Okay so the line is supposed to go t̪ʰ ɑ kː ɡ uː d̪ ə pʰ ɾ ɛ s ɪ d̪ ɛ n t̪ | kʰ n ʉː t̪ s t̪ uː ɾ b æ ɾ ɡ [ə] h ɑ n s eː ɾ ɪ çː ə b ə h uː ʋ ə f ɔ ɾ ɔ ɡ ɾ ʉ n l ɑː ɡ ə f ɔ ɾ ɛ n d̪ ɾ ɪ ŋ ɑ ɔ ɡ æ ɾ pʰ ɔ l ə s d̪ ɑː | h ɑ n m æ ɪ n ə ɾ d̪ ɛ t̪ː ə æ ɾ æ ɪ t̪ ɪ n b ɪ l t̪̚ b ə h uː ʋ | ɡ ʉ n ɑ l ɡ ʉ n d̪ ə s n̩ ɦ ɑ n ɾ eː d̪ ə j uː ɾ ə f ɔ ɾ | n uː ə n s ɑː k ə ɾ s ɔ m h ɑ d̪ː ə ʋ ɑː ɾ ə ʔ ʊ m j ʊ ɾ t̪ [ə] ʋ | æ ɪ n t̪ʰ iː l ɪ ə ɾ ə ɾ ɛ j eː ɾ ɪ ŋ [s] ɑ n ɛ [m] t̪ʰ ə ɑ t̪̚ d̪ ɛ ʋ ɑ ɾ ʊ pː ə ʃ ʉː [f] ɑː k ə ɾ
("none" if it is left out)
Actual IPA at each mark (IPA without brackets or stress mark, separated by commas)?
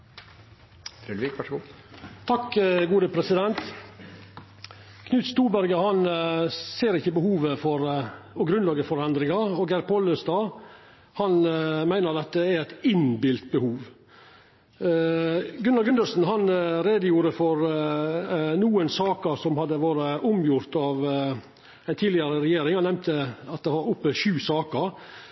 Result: ə, ɑ, h, m, s